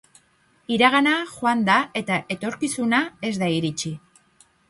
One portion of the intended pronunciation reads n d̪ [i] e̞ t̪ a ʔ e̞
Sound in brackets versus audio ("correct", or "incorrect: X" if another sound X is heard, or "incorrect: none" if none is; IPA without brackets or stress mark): incorrect: a